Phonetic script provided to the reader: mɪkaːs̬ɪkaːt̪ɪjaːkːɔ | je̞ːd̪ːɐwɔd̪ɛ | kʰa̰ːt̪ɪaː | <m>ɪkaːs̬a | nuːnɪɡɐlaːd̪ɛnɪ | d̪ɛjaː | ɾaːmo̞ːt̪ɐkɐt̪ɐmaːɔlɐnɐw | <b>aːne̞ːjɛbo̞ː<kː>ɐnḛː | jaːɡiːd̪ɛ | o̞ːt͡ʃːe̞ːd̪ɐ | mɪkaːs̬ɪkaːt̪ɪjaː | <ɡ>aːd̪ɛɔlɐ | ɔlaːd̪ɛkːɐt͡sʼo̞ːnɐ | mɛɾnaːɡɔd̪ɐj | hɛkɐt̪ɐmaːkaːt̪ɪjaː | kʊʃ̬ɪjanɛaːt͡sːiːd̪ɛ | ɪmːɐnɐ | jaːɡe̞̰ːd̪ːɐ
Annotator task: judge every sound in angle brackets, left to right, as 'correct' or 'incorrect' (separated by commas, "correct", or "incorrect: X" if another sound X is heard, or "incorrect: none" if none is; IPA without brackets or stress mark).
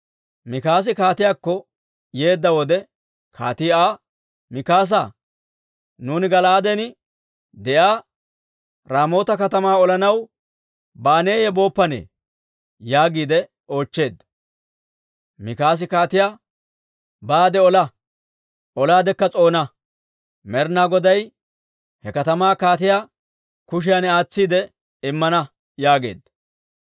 correct, correct, incorrect: pː, incorrect: b